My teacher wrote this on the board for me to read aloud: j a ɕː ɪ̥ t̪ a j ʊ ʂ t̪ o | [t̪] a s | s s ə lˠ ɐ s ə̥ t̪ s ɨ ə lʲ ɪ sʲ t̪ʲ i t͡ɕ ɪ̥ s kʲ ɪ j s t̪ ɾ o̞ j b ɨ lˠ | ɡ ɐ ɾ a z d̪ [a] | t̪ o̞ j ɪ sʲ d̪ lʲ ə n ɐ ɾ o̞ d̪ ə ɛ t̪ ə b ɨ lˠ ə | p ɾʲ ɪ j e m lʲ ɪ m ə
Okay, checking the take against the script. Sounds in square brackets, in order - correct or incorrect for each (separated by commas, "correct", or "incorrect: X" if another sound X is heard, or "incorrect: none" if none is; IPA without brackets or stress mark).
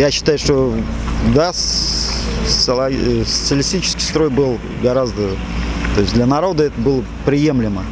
incorrect: d̪, incorrect: ə